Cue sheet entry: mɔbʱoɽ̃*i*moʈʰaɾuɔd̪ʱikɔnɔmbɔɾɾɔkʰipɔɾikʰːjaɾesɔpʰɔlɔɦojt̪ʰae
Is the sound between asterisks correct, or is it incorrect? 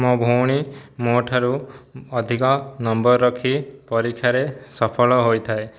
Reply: correct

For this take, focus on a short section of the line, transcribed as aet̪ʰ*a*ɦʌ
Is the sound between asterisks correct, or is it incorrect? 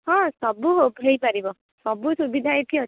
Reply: incorrect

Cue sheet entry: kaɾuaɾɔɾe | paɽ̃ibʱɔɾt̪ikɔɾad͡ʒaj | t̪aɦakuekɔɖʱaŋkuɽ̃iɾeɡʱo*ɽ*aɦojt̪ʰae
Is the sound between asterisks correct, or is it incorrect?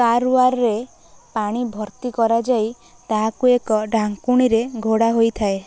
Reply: correct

